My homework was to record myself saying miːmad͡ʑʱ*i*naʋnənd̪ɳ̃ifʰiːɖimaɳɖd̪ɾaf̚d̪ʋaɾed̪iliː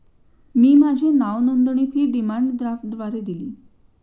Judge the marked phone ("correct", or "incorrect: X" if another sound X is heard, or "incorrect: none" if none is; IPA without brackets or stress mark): incorrect: e